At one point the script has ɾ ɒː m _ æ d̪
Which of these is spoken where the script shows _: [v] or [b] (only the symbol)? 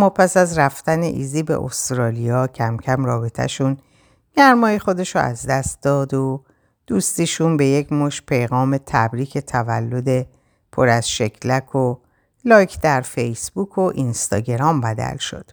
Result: b